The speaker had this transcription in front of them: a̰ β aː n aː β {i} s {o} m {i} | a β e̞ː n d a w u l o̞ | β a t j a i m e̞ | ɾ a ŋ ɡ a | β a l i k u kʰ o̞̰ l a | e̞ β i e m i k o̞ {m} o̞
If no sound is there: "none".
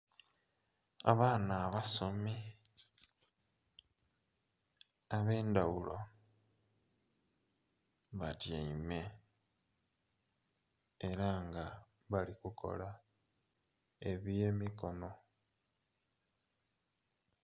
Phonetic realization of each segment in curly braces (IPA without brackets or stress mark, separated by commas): a, o, i, n